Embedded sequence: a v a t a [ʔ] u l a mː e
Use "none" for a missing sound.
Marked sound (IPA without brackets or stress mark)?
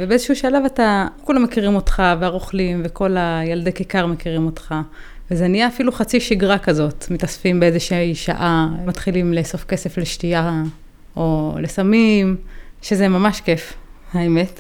k